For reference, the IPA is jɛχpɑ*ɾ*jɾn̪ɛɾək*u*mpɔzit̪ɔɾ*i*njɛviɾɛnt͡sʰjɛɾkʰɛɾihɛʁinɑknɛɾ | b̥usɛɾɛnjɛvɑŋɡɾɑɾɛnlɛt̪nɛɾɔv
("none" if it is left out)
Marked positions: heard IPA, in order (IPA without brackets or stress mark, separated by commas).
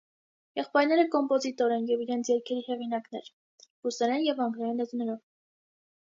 none, ɔ, ɛ